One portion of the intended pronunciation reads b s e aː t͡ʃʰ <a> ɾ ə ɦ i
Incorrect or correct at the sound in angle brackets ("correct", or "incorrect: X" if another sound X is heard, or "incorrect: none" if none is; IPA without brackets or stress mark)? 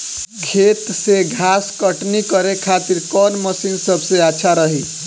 correct